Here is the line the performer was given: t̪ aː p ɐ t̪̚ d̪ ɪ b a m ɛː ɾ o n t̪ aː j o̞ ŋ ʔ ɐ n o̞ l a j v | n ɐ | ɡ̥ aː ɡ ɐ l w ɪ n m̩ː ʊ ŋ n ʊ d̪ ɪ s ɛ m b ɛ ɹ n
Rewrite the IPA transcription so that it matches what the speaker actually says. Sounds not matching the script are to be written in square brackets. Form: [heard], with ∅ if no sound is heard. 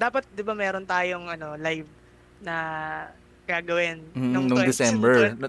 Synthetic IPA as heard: [d̪] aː p ɐ t̪̚ d̪ ɪ b a m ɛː ɾ o n t̪ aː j o̞ ŋ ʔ ɐ n o̞ l a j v | n ɐ | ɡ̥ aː ɡ ɐ [∅] w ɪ n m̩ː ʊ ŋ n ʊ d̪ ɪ s ɛ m b ɛ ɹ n